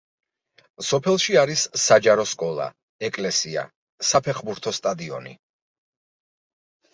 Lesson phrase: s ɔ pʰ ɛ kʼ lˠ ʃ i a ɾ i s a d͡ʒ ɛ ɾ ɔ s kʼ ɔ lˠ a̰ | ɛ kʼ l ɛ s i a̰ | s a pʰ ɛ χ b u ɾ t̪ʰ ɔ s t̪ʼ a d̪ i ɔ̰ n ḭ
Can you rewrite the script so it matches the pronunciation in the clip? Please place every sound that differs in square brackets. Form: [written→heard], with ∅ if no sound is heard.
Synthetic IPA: s ɔ pʰ ɛ [kʼ→∅] lˠ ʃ i a ɾ i s a d͡ʒ [ɛ→a] ɾ ɔ s kʼ ɔ lˠ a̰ | ɛ kʼ l ɛ s i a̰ | s a pʰ ɛ χ b u ɾ t̪ʰ ɔ s t̪ʼ a d̪ i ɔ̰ n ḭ